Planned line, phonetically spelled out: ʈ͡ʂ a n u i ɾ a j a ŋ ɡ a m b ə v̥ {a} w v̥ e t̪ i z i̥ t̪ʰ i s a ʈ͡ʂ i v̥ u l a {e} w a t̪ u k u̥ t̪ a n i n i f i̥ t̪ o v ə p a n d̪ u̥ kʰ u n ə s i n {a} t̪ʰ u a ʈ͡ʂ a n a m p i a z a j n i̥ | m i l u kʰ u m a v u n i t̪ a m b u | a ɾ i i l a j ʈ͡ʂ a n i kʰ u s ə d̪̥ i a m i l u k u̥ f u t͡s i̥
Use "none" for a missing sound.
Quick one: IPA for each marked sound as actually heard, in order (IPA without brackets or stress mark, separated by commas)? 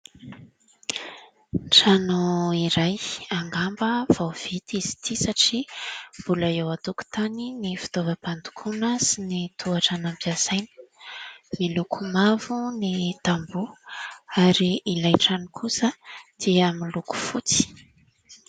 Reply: a, e, i